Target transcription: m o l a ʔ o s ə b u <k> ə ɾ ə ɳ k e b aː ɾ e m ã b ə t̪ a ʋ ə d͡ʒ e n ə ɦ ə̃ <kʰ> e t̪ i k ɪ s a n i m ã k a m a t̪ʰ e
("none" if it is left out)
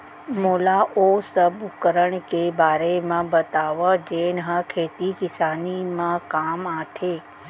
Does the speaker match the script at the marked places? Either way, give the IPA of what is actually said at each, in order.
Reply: k, kʰ

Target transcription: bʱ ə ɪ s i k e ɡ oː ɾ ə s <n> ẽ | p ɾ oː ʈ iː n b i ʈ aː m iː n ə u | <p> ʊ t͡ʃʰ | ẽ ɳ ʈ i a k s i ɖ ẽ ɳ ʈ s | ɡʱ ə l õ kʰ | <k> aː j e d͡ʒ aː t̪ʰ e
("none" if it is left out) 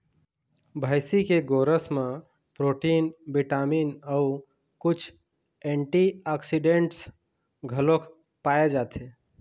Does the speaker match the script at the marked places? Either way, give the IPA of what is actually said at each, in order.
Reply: m, k, p

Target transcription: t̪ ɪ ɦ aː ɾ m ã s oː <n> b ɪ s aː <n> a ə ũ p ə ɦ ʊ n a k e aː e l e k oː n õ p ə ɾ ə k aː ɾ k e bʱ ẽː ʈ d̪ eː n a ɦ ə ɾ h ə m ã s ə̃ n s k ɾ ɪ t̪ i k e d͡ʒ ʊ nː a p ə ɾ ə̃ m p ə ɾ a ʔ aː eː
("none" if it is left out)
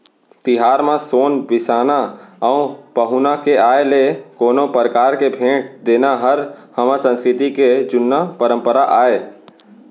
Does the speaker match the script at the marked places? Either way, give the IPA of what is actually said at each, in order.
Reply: n, n

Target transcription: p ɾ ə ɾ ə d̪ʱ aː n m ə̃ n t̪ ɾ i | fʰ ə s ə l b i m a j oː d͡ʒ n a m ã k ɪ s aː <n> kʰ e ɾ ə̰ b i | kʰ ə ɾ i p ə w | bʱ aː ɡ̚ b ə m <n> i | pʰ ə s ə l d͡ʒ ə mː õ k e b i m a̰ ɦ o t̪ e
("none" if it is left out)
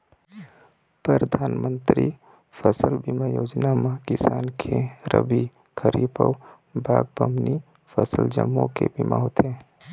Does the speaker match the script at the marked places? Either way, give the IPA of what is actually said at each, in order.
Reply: n, n

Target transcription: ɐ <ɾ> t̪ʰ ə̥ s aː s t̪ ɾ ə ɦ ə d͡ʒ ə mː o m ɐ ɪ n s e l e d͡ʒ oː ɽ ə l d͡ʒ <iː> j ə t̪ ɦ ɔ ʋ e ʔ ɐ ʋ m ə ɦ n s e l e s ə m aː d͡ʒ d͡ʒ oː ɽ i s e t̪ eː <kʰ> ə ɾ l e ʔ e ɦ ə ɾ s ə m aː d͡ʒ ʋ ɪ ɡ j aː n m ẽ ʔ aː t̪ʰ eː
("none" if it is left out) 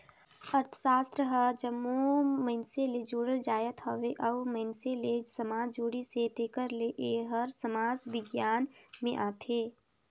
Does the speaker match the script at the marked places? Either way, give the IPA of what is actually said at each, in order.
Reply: ɾ, aː, k

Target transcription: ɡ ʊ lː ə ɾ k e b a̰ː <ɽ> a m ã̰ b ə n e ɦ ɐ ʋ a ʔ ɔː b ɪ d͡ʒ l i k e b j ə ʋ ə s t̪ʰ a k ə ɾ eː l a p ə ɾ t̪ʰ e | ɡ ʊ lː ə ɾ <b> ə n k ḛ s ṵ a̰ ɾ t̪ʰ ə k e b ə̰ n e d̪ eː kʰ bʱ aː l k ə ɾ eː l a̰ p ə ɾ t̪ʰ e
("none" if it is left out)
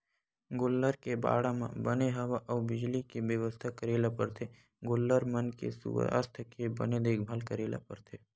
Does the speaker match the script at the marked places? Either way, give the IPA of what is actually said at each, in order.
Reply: ɽ, m

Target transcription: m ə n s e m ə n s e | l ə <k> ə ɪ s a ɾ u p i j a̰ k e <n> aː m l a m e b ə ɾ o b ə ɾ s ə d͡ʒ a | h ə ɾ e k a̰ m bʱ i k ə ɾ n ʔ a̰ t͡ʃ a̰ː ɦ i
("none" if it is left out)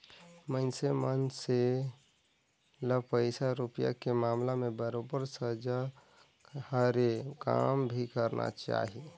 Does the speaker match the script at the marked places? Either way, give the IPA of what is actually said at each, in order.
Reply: p, m

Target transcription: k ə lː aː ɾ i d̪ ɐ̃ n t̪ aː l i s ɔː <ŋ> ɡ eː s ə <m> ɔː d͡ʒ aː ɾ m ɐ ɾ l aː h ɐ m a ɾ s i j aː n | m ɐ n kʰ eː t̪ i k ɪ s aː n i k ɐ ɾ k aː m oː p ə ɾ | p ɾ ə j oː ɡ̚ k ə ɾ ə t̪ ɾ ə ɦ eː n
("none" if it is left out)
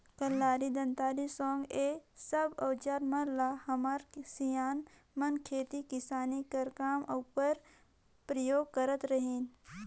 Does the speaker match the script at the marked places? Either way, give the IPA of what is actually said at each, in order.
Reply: ŋ, b

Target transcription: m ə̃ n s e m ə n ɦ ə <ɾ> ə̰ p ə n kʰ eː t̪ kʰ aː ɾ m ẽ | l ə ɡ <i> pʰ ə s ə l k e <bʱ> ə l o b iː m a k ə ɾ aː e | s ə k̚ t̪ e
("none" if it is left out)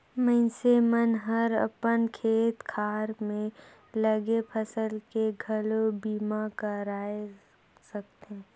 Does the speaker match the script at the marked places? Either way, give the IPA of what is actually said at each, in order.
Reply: ɾ, e, ɡʱ

